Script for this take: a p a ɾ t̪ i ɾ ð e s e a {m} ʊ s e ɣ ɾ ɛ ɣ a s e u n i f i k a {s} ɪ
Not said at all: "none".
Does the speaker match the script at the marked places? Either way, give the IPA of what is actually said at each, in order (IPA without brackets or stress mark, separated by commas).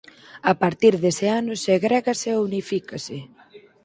n, s